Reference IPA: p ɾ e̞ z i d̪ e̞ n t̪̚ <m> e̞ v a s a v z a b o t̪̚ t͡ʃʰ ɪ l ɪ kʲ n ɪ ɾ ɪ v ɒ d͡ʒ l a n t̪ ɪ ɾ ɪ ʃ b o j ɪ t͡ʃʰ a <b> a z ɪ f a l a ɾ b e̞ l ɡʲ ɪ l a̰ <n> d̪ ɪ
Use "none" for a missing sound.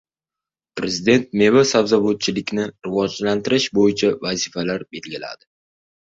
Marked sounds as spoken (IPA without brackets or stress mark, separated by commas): m, v, none